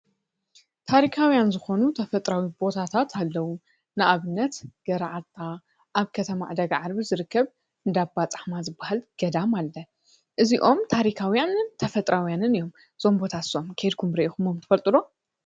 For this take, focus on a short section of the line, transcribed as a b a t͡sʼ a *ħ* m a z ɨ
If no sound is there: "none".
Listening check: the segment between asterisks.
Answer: ħ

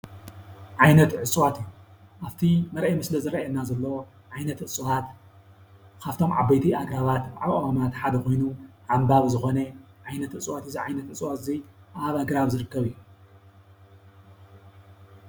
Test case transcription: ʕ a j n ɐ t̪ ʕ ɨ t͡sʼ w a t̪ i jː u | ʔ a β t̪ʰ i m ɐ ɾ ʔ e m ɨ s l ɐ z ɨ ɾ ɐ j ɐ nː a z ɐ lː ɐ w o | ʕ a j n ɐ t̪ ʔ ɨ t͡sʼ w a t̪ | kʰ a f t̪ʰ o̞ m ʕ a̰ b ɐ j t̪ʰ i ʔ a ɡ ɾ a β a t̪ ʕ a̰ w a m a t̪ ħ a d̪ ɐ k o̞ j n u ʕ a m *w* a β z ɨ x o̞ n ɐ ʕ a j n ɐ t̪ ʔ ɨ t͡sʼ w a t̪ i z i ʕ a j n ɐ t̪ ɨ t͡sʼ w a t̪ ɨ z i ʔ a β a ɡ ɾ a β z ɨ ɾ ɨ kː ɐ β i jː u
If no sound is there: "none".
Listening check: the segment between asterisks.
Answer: b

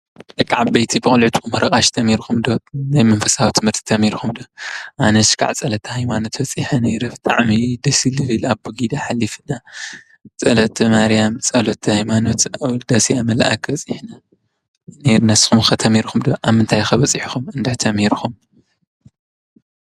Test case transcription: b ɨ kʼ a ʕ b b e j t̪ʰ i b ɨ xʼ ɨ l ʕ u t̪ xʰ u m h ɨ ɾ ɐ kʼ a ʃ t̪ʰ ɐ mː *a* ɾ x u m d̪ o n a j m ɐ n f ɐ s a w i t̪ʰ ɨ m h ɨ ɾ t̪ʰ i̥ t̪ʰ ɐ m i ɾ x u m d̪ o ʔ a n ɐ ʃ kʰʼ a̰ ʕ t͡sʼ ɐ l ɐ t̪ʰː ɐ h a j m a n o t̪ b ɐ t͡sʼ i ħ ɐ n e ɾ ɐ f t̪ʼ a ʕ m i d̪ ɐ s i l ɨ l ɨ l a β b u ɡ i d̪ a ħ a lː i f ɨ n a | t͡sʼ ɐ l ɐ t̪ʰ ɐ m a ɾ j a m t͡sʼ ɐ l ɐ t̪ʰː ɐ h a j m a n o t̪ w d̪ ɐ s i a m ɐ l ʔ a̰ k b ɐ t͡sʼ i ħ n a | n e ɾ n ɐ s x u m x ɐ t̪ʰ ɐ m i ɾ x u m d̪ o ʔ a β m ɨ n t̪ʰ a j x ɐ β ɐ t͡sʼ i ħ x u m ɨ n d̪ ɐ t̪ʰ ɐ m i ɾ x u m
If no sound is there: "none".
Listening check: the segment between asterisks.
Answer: i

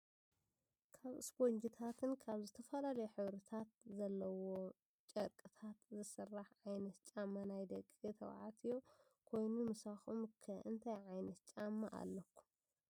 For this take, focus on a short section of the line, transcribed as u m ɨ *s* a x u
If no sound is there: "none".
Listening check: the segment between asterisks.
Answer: s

